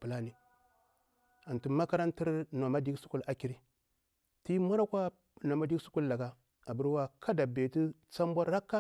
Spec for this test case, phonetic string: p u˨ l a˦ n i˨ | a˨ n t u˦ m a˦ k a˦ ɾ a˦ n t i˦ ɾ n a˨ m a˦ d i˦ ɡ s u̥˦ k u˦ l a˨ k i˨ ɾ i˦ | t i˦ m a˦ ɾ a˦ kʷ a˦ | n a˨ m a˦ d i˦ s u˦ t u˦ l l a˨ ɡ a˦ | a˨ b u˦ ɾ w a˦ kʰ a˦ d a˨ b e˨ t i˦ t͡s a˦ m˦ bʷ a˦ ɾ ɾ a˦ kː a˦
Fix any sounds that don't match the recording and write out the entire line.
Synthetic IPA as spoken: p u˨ l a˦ n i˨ | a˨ n t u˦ m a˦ k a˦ ɾ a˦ n t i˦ ɾ n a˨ m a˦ d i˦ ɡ s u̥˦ k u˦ l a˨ k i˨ ɾ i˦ | t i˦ m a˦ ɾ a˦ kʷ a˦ | n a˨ m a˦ d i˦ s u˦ k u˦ l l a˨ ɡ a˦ | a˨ b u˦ ɾ w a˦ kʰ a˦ d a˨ b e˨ t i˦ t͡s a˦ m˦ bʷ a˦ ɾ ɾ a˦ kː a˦